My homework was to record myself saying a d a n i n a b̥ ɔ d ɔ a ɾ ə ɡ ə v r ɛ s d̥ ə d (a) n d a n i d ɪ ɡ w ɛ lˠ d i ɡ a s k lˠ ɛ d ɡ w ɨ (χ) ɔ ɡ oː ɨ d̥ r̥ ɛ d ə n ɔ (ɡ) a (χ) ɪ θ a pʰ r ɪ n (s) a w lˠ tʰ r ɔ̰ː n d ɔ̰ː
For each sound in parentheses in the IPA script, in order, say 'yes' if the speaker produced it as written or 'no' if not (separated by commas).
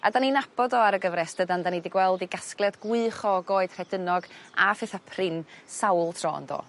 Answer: yes, yes, yes, no, yes